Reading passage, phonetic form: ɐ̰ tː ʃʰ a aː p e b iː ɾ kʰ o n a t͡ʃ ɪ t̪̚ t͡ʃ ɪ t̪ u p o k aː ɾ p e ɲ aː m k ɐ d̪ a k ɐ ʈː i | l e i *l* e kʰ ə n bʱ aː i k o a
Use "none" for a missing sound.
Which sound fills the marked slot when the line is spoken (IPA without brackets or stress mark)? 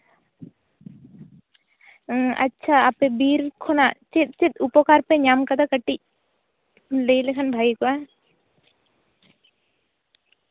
l